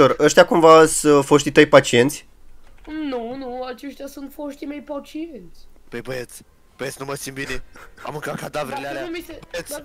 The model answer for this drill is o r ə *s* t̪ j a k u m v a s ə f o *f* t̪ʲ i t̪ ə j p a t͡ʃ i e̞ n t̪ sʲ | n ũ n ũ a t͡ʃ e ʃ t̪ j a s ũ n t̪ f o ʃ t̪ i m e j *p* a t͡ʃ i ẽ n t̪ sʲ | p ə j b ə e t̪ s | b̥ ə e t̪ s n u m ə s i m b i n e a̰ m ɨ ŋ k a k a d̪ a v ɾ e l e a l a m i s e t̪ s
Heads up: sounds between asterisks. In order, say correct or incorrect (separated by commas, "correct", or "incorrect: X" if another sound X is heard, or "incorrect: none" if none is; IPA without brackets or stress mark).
incorrect: ʃ, incorrect: ʃ, correct